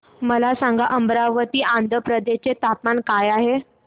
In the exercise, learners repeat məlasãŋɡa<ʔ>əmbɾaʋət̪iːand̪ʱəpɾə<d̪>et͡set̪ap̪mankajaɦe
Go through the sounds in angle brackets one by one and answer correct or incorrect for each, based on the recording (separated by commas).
correct, correct